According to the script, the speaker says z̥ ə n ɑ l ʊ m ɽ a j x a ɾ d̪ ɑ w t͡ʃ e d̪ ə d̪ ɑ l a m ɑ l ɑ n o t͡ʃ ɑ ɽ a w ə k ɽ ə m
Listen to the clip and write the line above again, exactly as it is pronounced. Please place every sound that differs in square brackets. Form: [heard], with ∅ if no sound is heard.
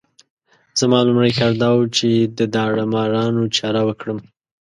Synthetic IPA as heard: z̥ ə [m] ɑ l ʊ m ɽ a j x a ɾ d̪ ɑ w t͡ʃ e d̪ ə d̪ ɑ [ɽ] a m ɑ [ɾ] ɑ n o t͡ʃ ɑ [ɾ] a w ə k ɽ ə m